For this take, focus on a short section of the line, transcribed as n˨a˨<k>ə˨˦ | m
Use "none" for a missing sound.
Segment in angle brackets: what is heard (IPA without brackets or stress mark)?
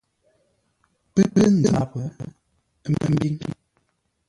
p